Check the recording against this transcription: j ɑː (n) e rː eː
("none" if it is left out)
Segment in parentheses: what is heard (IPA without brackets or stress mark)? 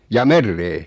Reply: m